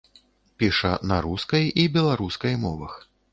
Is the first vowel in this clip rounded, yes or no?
no